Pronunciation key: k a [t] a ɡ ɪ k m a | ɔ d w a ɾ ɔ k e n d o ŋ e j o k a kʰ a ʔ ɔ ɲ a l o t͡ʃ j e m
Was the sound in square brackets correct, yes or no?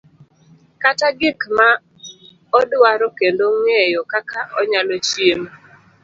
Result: yes